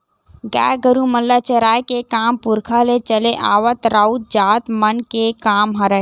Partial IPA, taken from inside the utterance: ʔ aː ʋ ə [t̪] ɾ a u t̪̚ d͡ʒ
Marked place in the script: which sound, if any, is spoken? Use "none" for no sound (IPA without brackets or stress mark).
t̪